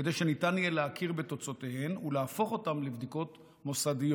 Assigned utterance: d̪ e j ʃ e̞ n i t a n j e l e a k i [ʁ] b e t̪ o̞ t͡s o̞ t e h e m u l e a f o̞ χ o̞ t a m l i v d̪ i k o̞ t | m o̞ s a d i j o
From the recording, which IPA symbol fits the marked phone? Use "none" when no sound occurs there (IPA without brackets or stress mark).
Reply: ʁ